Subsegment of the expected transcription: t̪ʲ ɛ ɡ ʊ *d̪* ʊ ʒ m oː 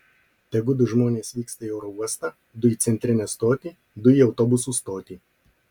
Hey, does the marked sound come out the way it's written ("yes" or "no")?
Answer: yes